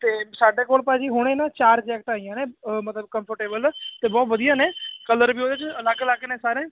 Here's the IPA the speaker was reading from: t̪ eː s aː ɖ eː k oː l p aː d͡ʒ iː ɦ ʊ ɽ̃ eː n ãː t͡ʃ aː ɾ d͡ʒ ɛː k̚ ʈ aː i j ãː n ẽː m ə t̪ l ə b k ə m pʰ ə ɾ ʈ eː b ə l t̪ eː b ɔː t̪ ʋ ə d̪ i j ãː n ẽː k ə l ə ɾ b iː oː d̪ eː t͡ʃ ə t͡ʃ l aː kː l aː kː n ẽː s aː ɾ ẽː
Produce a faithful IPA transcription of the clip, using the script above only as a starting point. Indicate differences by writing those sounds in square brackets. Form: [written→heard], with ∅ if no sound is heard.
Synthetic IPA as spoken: t̪ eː s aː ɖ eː k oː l p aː d͡ʒ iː ɦ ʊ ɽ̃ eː n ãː t͡ʃ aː ɾ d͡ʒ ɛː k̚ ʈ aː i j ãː n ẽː m ə t̪ l ə b k ə m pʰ ə ɾ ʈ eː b ə l t̪ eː b ɔː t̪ ʋ ə d̪ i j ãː n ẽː k ə l ə ɾ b iː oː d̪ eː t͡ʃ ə [t͡ʃ→∅] l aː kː l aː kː n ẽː s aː ɾ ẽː

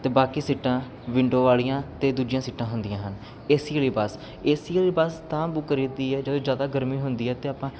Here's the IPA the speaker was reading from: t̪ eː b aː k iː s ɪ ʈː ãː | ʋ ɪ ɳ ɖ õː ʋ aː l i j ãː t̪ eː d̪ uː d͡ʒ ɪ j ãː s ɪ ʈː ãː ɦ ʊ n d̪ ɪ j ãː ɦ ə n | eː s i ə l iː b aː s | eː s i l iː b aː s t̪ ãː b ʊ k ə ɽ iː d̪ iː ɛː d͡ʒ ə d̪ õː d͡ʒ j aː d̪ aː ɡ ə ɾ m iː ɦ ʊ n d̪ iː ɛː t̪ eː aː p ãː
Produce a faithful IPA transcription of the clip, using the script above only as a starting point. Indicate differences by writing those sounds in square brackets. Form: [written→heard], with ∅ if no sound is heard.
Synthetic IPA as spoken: t̪ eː b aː k iː s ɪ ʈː ãː | ʋ ɪ ɳ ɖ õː ʋ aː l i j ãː t̪ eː d̪ uː d͡ʒ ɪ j ãː s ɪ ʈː ãː ɦ ʊ n d̪ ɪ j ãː ɦ ə n | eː s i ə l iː b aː s | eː s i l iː b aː s t̪ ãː b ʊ k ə [ɽ→ɾ] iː d̪ iː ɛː d͡ʒ ə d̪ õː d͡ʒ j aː d̪ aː ɡ ə ɾ m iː ɦ ʊ n d̪ iː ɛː t̪ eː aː p ãː

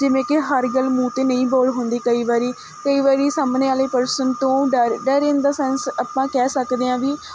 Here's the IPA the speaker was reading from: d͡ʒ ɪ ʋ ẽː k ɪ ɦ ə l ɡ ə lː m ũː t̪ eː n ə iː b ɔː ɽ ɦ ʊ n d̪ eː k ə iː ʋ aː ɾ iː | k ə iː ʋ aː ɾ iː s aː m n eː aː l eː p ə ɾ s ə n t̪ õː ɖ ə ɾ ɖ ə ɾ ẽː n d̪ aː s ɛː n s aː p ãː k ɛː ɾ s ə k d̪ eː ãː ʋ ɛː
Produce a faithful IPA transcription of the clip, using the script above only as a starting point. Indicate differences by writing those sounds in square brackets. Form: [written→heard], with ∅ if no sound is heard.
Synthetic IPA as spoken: d͡ʒ ɪ ʋ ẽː k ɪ ɦ ə [l→ɾ] ɡ ə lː m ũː t̪ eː n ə [iː→ĩː] b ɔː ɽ ɦ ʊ n d̪ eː k ə iː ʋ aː ɾ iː | k ə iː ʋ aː ɾ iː s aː m n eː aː l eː p ə ɾ s ə n t̪ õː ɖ ə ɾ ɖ ə ɾ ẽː n d̪ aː s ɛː n s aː p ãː k ɛː [ɾ→∅] s ə k d̪ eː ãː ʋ [ɛː→iː]

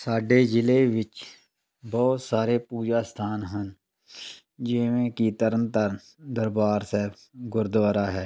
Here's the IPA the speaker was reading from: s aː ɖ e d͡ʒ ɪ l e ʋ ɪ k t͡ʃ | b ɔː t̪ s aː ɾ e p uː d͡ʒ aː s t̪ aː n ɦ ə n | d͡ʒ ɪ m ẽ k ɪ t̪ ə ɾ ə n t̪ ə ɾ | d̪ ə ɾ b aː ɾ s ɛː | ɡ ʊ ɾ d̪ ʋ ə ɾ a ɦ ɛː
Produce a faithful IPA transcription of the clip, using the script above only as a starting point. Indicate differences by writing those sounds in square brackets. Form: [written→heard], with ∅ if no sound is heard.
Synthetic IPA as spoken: s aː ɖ e d͡ʒ ɪ l e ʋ ɪ [k→∅] t͡ʃ | b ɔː t̪ s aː ɾ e p uː d͡ʒ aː s [t̪→t̪ʰ] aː n ɦ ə n | d͡ʒ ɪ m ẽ k [ɪ→i] t̪ ə ɾ ə n t̪ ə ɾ | d̪ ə ɾ b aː ɾ s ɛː | ɡ ʊ ɾ d̪ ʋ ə ɾ a ɦ ɛː

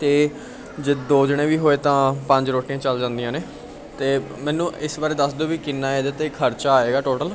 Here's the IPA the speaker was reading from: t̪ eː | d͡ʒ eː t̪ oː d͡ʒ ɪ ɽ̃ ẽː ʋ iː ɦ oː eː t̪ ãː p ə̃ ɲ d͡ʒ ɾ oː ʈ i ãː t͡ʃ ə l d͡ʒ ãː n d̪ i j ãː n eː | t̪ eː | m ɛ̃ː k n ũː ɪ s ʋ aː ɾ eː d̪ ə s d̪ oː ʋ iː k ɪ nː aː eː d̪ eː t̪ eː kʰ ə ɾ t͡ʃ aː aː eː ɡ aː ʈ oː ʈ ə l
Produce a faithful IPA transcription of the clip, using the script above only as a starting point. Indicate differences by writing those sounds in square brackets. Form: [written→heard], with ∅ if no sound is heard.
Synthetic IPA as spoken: t̪ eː | d͡ʒ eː [t̪→d̪] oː d͡ʒ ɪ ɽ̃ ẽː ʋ iː ɦ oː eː t̪ ãː p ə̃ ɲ d͡ʒ ɾ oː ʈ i ãː t͡ʃ ə l d͡ʒ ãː n d̪ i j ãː n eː | t̪ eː | m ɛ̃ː [k→∅] n ũː ɪ s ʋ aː ɾ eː d̪ ə s d̪ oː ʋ iː k ɪ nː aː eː d̪ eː t̪ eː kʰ ə ɾ t͡ʃ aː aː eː ɡ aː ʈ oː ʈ ə l

